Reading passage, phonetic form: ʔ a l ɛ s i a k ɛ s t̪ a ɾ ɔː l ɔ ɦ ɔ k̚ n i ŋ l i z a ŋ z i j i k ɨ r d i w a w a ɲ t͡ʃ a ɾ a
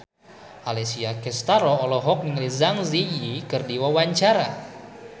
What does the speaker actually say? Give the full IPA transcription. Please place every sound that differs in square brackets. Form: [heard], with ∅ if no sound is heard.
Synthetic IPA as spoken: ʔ a l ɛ s i a k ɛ s t̪ a ɾ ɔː l ɔ ɦ ɔ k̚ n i ŋ l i z a ŋ z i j i k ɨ r d i w a w a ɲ t͡ʃ a ɾ a